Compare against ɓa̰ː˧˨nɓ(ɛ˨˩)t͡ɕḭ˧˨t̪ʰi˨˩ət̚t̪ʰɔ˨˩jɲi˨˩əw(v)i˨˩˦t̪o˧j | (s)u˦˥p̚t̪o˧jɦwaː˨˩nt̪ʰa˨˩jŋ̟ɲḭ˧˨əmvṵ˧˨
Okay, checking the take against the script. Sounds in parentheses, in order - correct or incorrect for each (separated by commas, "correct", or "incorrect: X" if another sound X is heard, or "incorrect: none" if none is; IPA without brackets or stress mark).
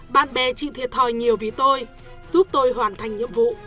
correct, correct, incorrect: z